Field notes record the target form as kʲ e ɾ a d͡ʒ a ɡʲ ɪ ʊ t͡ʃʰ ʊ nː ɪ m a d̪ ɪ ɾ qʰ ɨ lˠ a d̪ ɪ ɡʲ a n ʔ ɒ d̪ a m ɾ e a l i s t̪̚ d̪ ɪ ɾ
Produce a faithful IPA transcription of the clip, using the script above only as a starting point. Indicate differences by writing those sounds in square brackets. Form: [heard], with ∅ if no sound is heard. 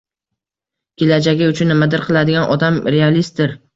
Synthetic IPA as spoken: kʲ e [l] a d͡ʒ a ɡʲ ɪ ʊ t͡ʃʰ ʊ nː ɪ m a d̪ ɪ ɾ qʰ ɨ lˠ a d̪ ɪ ɡʲ a n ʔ ɒ d̪ a m ɾ e a l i s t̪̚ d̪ ɪ ɾ